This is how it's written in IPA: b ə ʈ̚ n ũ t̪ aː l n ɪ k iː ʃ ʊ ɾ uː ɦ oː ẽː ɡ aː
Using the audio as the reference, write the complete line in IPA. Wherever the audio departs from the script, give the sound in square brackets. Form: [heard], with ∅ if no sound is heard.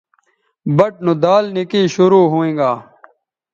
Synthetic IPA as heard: b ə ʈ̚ n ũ [d̪] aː l n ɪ k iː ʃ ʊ ɾ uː ɦ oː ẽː ɡ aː